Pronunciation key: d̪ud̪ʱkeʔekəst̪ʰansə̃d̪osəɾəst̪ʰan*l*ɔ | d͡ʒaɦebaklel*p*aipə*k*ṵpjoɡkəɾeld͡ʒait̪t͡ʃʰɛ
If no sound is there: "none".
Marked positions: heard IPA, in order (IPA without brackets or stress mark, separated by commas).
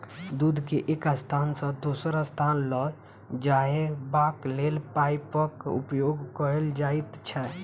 l, p, k